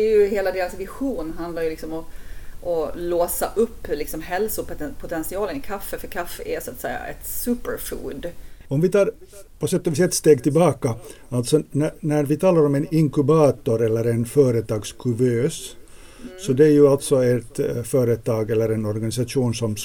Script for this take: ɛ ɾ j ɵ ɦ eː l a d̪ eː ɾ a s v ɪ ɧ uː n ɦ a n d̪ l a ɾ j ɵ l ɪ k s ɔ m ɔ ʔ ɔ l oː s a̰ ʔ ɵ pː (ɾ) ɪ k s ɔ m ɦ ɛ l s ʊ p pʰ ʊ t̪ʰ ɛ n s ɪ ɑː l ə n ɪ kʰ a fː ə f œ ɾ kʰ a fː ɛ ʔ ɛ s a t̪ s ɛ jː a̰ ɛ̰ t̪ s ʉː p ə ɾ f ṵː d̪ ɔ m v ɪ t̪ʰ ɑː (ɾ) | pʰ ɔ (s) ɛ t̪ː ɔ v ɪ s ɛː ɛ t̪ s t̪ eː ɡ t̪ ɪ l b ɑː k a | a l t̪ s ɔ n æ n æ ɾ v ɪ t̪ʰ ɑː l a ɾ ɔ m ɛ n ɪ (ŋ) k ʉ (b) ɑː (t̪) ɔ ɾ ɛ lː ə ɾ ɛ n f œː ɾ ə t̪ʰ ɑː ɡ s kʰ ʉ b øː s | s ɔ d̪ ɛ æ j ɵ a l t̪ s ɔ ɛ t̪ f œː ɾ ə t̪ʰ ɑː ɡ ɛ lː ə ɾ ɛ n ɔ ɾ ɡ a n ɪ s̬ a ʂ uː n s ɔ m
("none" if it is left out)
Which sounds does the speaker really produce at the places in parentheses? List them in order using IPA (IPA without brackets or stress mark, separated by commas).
l, ɾ, s, ŋ, b, t̪